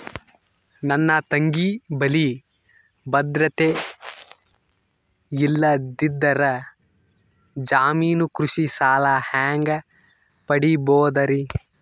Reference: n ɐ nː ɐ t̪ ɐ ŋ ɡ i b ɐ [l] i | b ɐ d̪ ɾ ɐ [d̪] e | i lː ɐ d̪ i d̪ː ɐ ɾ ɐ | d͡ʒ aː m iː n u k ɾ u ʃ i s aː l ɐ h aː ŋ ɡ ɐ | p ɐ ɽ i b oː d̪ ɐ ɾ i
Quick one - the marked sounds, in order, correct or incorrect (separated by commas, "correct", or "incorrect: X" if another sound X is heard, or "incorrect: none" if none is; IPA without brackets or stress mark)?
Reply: correct, incorrect: t̪